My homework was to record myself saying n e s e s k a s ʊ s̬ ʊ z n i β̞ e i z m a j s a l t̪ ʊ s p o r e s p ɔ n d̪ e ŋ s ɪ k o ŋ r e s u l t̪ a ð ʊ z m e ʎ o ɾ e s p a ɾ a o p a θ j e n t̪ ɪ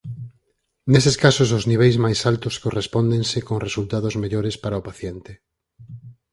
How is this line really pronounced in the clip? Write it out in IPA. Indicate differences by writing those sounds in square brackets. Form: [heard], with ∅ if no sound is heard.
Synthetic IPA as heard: n e s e s k a s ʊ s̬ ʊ z n i β̞ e [j] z m a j s a l t̪ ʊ s [k] o r e s p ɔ n d̪ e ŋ s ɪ k o ŋ r e s u l t̪ a ð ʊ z m e ʎ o ɾ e s p a ɾ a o p a θ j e n t̪ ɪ